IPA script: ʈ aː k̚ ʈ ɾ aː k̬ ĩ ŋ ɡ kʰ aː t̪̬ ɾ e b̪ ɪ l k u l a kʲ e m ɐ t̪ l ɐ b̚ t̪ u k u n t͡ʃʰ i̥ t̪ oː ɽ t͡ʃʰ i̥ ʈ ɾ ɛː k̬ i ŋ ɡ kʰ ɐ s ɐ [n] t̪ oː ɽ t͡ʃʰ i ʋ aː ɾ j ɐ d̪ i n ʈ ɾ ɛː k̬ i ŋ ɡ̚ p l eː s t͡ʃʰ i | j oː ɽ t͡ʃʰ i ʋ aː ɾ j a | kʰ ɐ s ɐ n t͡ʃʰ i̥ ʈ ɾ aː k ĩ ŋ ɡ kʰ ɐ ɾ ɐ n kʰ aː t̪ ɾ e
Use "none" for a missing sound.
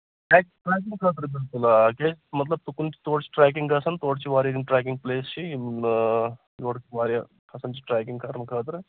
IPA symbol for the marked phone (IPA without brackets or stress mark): n